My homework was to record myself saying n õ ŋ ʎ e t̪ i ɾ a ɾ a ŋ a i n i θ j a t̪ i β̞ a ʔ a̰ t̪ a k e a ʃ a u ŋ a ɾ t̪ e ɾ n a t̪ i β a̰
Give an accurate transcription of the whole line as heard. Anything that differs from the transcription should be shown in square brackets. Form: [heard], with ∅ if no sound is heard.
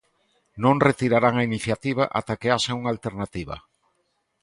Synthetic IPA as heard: n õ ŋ [r] e t̪ i ɾ a ɾ a ŋ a i n i θ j a t̪ i β̞ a ʔ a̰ t̪ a k e a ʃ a u ŋ a [l] t̪ e ɾ n a t̪ i β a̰